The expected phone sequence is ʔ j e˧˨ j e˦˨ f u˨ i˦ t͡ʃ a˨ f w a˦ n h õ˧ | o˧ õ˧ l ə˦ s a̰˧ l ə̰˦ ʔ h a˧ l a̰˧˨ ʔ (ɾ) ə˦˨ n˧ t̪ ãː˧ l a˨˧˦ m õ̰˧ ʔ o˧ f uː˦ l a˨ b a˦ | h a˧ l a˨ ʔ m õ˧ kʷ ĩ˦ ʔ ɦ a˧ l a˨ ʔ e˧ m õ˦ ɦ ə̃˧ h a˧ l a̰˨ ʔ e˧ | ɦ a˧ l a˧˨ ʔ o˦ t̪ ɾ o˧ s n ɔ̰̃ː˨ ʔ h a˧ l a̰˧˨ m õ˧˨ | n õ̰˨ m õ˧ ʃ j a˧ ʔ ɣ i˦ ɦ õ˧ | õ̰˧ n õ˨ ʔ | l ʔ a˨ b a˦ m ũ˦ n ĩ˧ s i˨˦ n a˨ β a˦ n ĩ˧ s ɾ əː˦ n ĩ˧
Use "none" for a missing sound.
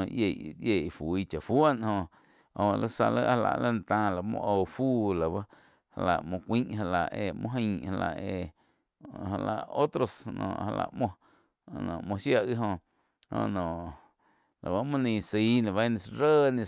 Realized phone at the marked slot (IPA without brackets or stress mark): l